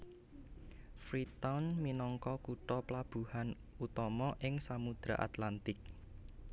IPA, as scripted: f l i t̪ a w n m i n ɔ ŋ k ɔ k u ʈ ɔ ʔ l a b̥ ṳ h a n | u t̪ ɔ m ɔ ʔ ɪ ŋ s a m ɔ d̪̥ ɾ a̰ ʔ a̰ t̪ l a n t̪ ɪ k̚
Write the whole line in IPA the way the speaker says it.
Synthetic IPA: f ɾ i t̪ a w n m i n ɔ ŋ k ɔ k u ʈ ɔ p l a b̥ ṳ h a n | u t̪ ɔ m ɔ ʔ ɪ ŋ s a m u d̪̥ ɾ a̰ ʔ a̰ t̪ l a n t̪ ɪ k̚